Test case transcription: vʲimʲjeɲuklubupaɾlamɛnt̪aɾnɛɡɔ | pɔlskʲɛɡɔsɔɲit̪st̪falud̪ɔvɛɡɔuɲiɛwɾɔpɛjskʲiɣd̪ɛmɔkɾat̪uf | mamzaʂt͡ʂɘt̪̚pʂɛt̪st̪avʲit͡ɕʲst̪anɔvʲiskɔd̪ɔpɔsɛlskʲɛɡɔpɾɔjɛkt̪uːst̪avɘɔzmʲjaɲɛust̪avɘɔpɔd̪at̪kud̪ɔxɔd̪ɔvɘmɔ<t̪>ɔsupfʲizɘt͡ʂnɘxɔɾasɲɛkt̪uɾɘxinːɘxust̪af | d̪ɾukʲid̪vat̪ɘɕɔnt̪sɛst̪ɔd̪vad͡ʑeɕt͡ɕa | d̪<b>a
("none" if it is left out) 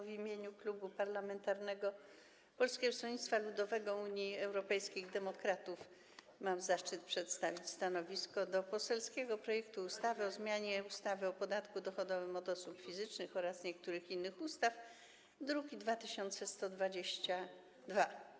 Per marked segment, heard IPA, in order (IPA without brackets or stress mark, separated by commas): d̪, v